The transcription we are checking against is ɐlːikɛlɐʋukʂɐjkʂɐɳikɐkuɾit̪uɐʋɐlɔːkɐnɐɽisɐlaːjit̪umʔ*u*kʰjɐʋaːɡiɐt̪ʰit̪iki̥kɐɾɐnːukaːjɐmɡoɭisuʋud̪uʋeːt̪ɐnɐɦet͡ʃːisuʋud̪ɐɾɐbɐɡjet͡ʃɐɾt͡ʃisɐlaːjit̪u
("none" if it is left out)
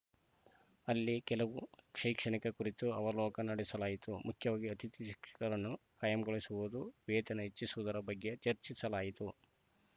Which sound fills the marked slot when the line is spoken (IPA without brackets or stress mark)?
u